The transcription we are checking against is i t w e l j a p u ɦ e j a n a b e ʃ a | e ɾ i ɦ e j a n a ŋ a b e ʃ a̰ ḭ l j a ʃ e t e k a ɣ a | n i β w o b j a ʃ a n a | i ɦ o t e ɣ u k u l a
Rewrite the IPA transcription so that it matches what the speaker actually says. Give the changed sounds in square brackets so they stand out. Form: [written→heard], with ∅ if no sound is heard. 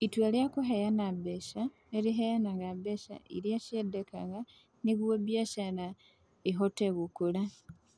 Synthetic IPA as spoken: i t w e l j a [p→k] u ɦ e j a n a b e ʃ a | e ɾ i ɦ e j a n a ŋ a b e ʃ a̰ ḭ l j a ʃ e [t→d] e k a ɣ a | n i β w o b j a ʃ a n a | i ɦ o t e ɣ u k u l a

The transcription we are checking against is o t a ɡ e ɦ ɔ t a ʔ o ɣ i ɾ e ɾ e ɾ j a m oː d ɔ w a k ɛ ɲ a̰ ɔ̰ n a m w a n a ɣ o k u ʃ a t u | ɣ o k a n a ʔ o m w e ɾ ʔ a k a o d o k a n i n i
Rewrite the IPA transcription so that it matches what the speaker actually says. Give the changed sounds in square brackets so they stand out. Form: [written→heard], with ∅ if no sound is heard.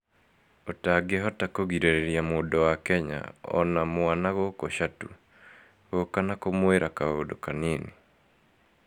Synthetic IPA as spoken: o t a ɡ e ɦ ɔ t a [ʔ→k] o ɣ i ɾ e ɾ e ɾ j a m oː d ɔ w a k ɛ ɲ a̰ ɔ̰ n a m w a n a ɣ o k [u→o] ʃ a t u | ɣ o k a n a [ʔ→k] o m w e ɾ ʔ a k a o d o k a n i n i

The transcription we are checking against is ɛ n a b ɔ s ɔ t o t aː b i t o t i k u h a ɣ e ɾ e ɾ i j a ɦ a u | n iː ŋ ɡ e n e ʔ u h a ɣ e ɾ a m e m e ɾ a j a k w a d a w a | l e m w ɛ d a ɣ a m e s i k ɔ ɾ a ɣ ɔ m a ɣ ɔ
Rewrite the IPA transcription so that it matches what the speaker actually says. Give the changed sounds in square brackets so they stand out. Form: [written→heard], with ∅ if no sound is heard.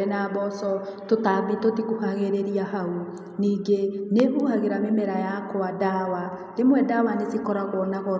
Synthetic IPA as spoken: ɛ n a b ɔ s ɔ t o t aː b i t o t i k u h a ɣ e ɾ e ɾ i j a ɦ a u | n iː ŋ ɡ e n e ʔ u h a ɣ e ɾ a m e m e ɾ a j a k w a d a w a | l e m w ɛ d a [ɣ→w] a [m→n] e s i k ɔ ɾ a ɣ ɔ [m→n] a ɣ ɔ

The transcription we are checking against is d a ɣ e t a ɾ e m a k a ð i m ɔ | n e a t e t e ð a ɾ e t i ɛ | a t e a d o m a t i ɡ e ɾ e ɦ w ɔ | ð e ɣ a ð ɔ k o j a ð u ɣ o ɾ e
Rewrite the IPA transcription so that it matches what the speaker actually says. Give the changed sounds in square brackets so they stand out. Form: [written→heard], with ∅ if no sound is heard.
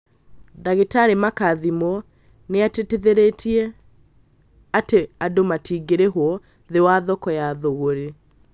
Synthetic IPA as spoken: d a ɣ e t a ɾ e m a k a ð i m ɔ | n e a t e t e ð [a→e] ɾ e t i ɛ | a t e a d o m a t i ɡ e ɾ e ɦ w ɔ | ð e [ɣ→w] a ð ɔ k [o→ɔ] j a ð [u→o] ɣ o ɾ e

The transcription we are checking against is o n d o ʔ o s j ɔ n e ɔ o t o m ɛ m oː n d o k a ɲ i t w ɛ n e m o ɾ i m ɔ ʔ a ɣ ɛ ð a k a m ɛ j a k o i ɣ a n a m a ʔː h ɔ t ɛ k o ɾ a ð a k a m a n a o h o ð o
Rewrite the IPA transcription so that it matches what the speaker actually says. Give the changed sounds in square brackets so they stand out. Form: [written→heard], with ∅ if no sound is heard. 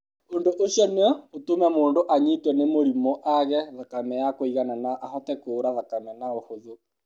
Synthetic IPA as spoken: o n d o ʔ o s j ɔ n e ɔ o t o m ɛ m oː n d o [k→ʔ] a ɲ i t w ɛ n e m o ɾ i m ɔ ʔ a ɣ ɛ ð a k a m ɛ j a k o i ɣ a n a [m→n] a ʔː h ɔ t ɛ k o ɾ a ð a k a m [a→ɛ] n a o h o ð o

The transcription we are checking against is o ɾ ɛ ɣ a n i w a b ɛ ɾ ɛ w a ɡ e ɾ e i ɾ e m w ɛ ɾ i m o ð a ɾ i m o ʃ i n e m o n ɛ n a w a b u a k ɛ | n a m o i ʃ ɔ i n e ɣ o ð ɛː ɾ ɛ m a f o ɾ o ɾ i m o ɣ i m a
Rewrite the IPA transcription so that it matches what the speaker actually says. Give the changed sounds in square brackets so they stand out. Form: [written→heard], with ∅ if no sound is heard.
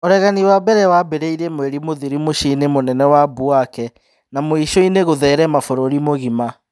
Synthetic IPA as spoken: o ɾ ɛ ɣ a n i w a b ɛ ɾ ɛ w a [ɡ→b] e ɾ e i ɾ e m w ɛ ɾ i m o ð [a→i] ɾ i m o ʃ i n e m o n ɛ n [a→ɛ] w a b u a k ɛ | n a m o i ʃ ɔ i n e ɣ o ð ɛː ɾ ɛ m a f o ɾ o ɾ i m o ɣ i m a

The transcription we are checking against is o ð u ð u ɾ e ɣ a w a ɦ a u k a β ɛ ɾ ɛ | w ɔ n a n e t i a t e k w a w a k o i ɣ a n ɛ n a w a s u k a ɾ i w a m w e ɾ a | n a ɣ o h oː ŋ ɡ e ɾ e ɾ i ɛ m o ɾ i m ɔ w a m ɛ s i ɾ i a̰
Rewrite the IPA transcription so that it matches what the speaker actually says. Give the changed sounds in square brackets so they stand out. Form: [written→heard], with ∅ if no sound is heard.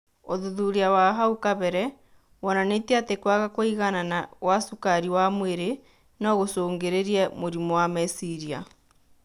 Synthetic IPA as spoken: o ð u ð u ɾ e [ɣ→∅] a w a ɦ a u k a β ɛ ɾ ɛ | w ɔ n a n e t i a t e k w a [w→ɣ] a k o i ɣ a n [ɛ→a] n a w a s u k a ɾ i w a m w e ɾ [a→e] | n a ɣ o [h→s] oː ŋ ɡ e ɾ e ɾ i ɛ m o ɾ i m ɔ w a m ɛ s i ɾ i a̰

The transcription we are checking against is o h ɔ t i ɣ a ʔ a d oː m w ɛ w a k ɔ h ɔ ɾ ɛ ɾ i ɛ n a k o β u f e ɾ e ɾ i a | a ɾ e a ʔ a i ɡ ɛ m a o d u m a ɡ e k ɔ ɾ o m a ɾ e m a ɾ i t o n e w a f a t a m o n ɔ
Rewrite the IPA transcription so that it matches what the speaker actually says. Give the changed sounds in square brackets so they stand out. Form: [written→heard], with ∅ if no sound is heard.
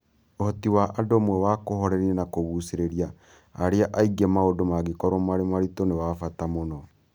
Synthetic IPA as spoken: o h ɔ t i [ɣ→w] a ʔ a d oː m w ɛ w a k [ɔ→o] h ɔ ɾ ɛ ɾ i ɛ n a k o β u [f→s] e ɾ e ɾ i a | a ɾ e a ʔ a i ɡ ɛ m a o d [u→o] m a ɡ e k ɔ ɾ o m a ɾ e m a ɾ i t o n e w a f a t a m o n ɔ

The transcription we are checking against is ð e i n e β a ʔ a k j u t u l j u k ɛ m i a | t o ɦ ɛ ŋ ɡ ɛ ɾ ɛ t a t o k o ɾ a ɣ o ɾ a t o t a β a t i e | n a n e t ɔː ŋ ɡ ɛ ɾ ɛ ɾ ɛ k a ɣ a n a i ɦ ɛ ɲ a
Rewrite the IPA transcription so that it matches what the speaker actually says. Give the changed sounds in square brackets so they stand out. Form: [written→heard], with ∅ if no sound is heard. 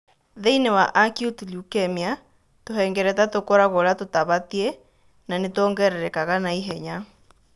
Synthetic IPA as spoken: ð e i n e [β→w] a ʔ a k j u t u l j u k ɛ m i a | t o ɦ ɛ ŋ ɡ ɛ ɾ ɛ t a t o k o ɾ a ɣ o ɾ a t o t a β a t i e | n a n e t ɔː ŋ ɡ ɛ ɾ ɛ ɾ ɛ k a ɣ a n a i ɦ ɛ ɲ a

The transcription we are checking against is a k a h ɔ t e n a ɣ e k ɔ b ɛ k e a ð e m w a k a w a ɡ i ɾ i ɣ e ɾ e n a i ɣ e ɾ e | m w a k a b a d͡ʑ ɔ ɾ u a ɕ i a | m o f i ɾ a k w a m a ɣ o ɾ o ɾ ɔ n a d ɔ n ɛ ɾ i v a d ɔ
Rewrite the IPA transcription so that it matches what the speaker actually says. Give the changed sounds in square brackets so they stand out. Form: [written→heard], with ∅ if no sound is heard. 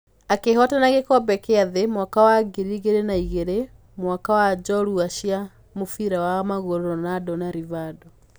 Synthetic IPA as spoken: a k [a→e] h ɔ t [e→a] n a ɣ e k ɔ b ɛ k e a ð e m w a k a w a ɡ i ɾ i ɣ e ɾ e n a i ɣ e ɾ e | m w a k a [b→w] a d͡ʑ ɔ ɾ u a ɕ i a | m o f i ɾ a [k→∅] w a m a ɣ o ɾ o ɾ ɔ n a d ɔ n [ɛ→a] ɾ i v a d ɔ

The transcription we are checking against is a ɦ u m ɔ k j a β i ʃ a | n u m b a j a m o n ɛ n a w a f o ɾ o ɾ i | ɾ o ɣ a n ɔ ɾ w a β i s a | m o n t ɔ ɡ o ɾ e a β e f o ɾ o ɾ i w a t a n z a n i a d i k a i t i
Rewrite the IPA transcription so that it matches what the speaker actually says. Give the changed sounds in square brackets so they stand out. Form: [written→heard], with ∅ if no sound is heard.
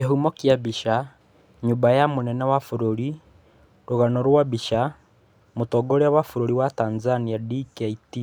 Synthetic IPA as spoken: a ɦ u m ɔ k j a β i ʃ a | [n→ɲ] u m b a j a m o n ɛ n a w a f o ɾ o ɾ i | ɾ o ɣ a n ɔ ɾ w a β i [s→ʃ] a | m o [n→∅] t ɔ ɡ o ɾ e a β [e→a] f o ɾ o ɾ i w a t a n z a n i a d i k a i t i

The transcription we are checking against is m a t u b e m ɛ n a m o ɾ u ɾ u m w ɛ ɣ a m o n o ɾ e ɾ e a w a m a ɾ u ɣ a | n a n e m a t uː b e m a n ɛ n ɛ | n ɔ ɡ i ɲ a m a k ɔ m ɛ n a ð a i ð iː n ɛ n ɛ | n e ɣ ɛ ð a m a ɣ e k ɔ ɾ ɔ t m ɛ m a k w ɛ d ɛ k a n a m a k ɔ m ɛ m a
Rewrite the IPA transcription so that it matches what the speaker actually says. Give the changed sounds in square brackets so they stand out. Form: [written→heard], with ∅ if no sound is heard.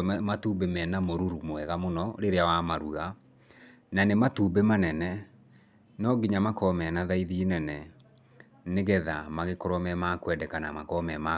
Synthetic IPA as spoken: m a t u b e m ɛ n a m o ɾ u ɾ u m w ɛ ɣ a m o n [o→ɔ] ɾ e ɾ e a w a m a ɾ u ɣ a | n a n e m a t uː b e m a n ɛ n ɛ | n ɔ ɡ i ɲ a m a k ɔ m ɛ n a ð a i ð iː n ɛ n ɛ | n e ɣ ɛ ð a m a ɣ e k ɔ ɾ ɔ [t→∅] m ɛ m a k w ɛ d ɛ k a n a m a k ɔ m ɛ m a

